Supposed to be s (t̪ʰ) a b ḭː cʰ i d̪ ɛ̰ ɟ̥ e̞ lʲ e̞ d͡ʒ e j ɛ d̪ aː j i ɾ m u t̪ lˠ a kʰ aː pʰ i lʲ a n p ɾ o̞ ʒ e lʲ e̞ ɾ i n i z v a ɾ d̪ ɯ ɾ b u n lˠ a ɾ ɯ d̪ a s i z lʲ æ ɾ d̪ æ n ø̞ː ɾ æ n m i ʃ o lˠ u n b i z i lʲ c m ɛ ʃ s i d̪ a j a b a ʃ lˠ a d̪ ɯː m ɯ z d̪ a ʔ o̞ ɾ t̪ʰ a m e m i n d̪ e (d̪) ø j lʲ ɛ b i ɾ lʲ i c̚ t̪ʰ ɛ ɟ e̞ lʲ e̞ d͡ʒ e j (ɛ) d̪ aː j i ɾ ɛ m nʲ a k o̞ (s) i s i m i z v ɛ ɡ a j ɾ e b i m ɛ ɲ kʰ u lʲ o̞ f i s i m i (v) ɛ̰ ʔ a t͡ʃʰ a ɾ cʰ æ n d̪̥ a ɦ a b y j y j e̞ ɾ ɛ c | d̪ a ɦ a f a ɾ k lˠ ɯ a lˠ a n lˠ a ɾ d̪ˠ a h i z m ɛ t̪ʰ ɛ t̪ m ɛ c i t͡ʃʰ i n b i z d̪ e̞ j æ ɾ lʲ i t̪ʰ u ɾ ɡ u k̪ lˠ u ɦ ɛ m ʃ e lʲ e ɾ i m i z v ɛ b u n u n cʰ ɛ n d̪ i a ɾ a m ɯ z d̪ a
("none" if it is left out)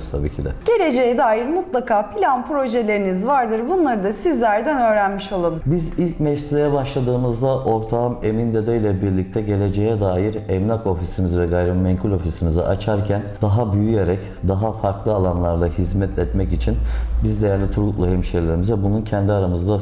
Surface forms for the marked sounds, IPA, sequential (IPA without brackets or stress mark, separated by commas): t̪ʰ, d̪, ɛ, f, z